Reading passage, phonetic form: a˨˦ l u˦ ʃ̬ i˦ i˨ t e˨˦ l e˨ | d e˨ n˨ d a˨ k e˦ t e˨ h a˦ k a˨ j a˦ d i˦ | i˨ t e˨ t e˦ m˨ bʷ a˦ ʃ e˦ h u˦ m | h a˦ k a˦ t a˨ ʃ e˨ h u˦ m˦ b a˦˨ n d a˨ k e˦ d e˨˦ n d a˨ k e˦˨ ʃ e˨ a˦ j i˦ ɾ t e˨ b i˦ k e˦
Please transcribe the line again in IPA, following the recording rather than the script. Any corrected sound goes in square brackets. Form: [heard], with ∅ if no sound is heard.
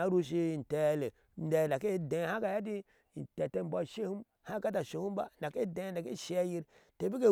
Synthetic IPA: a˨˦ [ɾ] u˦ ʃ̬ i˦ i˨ t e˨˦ l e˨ | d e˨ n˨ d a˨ k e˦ [d] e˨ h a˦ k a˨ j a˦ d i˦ | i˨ t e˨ t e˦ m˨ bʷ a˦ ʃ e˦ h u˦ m | h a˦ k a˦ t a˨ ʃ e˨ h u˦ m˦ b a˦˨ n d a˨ k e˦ d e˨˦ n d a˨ k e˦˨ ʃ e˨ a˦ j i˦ ɾ t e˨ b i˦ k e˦